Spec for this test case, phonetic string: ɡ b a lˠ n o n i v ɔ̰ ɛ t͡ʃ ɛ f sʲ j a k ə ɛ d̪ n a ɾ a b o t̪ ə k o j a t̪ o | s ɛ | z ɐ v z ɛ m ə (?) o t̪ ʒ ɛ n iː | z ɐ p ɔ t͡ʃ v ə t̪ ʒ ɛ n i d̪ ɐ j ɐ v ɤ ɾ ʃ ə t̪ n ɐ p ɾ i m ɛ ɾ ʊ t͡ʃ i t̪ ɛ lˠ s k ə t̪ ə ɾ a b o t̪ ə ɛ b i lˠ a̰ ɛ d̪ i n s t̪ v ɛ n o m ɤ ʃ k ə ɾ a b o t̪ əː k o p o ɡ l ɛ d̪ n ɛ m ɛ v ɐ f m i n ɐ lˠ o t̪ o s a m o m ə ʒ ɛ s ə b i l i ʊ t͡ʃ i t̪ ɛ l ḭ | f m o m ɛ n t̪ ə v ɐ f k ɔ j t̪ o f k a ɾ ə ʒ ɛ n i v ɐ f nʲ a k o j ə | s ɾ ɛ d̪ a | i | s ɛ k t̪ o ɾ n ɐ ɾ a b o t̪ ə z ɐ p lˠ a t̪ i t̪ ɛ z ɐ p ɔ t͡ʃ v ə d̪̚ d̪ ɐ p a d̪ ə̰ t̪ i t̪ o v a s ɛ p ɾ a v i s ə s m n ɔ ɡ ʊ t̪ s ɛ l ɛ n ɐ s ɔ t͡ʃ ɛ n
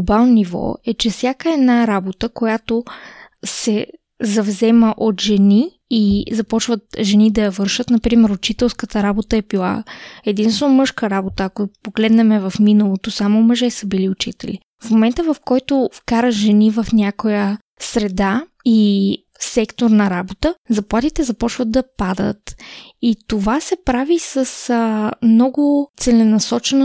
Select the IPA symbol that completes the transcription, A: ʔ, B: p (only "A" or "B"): A